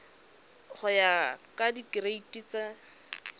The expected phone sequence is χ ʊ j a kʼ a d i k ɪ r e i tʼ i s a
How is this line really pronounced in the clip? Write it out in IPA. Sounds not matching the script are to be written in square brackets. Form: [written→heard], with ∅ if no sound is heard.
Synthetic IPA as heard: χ ʊ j a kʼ a d i k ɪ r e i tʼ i [s→t͡s] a